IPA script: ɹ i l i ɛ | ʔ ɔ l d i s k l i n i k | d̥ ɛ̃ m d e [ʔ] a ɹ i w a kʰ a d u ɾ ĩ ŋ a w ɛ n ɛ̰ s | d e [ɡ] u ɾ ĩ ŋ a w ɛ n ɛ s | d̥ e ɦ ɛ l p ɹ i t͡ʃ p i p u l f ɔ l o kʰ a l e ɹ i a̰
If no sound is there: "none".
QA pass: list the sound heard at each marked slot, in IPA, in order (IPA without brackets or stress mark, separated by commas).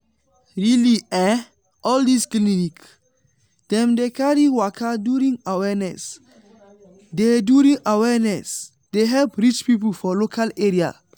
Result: k, d